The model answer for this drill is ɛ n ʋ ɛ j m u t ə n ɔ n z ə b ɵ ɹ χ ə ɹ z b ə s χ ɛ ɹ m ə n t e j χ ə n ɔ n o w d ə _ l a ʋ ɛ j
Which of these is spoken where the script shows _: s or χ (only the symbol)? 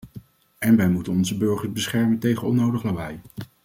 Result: χ